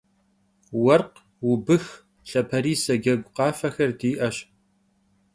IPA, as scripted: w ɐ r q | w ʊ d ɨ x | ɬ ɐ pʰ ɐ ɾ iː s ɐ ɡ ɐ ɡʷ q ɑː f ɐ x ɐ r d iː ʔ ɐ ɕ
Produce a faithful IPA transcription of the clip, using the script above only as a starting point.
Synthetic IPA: w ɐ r q | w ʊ b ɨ x | ɬ ɐ pʰ ɐ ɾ iː s ɐ ɡ ɐ ɡʷ q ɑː f ɐ x ɐ r d iː ʔ ɐ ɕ